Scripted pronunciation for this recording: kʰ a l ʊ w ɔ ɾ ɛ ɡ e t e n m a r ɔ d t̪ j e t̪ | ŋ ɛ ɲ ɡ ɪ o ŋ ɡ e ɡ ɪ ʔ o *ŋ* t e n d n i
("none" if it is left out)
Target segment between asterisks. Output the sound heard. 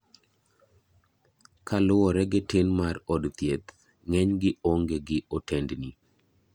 none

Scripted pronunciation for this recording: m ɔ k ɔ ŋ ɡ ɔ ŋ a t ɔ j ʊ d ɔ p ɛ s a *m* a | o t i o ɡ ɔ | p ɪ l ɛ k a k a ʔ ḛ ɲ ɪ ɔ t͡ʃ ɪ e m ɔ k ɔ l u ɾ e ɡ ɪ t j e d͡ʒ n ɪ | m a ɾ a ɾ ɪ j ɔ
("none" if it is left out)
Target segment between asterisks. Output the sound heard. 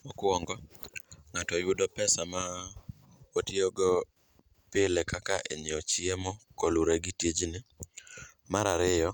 m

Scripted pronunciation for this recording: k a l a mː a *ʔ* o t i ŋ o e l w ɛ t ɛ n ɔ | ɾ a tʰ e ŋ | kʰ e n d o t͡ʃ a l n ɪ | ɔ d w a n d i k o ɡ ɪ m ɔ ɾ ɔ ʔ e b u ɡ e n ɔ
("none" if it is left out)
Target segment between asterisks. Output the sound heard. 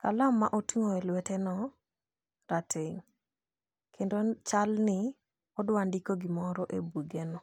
ʔ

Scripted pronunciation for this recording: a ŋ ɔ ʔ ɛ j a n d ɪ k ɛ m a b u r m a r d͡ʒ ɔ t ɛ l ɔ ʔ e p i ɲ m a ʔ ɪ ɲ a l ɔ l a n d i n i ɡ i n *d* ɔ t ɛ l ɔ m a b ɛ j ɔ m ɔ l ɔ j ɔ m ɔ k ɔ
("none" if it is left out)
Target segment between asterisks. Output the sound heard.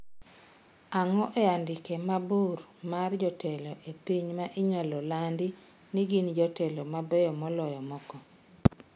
d͡ʒ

